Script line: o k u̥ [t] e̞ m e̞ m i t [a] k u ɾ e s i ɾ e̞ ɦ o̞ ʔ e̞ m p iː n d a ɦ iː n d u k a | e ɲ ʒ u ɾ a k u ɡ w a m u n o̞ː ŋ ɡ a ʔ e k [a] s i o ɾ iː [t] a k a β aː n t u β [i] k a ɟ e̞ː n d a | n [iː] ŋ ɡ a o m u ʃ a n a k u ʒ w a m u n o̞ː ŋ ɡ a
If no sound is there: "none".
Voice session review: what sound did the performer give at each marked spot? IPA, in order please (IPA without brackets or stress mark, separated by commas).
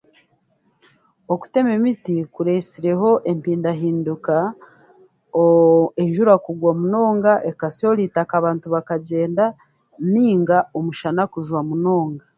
t, i, a, t, a, iː